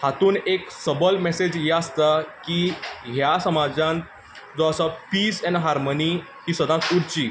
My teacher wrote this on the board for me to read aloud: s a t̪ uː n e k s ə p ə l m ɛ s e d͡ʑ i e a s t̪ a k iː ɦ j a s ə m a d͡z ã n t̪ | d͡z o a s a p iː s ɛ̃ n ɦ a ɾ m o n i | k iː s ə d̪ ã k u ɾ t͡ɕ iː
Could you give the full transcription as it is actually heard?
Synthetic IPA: h a t̪ uː n e k s ə b ə l m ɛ s e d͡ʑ j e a s t̪ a k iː ɦ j a s ə m a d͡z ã n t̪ | d͡z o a s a p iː s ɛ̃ n ɦ a ɾ m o n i | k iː s ə d̪ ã k u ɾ t͡ɕ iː